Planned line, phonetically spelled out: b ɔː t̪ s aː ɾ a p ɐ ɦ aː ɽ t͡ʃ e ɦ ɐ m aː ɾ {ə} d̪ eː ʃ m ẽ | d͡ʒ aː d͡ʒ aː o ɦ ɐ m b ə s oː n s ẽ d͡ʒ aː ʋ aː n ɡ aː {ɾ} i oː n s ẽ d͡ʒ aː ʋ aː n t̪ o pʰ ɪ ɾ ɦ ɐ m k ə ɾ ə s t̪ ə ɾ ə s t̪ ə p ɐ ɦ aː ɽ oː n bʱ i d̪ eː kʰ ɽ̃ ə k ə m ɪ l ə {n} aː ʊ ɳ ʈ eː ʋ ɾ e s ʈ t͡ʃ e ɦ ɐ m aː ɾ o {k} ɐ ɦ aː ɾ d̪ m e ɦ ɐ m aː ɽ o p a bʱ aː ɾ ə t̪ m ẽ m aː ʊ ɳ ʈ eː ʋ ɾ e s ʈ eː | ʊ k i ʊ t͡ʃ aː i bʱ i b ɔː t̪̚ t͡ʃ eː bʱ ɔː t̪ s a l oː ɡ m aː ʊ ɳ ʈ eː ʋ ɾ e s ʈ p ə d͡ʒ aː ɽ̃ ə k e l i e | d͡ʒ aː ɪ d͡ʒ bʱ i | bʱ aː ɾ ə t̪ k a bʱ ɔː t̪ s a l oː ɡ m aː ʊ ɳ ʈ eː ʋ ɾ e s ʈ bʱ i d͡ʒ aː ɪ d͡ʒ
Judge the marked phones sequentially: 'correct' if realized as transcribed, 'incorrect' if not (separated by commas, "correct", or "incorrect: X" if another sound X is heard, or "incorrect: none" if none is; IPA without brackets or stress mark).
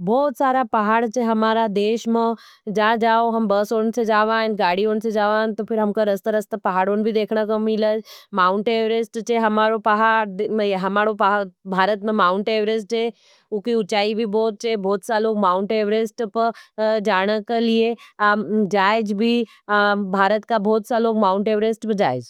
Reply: incorrect: a, incorrect: ɽ, incorrect: m, incorrect: p